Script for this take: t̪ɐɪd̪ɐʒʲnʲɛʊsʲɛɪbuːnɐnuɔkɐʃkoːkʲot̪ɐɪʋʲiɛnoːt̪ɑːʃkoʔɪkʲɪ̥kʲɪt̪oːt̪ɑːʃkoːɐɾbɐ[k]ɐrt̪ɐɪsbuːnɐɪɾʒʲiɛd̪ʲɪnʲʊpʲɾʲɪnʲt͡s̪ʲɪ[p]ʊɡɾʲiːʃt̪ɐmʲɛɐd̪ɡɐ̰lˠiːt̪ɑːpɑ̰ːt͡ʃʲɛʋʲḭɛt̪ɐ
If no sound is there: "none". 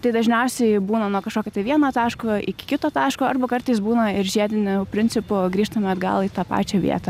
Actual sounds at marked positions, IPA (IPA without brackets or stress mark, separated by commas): k, p